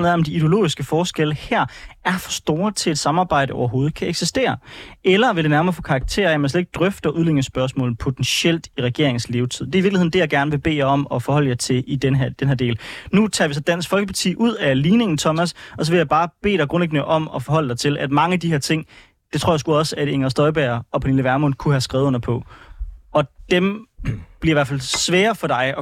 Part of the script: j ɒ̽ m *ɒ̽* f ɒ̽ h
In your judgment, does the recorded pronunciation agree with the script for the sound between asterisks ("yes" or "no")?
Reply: yes